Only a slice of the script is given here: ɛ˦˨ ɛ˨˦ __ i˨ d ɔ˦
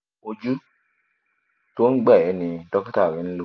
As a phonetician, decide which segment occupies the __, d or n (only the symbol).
n